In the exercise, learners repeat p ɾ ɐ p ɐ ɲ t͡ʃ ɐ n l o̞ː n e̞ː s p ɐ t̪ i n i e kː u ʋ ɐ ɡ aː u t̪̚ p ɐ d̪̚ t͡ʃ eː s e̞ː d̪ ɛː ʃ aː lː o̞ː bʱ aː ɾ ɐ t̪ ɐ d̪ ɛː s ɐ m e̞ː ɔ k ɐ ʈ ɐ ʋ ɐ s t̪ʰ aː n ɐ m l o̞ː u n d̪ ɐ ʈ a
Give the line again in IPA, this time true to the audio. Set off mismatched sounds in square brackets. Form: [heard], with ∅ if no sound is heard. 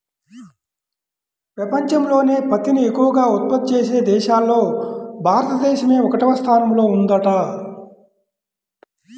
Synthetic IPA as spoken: p ɾ ɐ p ɐ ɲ t͡ʃ ɐ [m] l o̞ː n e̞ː [∅] p ɐ t̪ i n i e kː u ʋ ɐ ɡ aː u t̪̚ p ɐ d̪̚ t͡ʃ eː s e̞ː d̪ ɛː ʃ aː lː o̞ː bʱ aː ɾ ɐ t̪ ɐ d̪ ɛː [ʃ] ɐ m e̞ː ɔ k ɐ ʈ ɐ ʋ ɐ s t̪ʰ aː n ɐ m l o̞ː u n d̪ ɐ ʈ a